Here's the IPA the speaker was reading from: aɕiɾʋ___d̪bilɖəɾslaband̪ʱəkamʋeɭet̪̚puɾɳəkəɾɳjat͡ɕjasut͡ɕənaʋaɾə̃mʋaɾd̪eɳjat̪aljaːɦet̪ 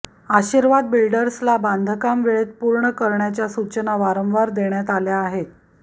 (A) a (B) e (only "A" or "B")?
A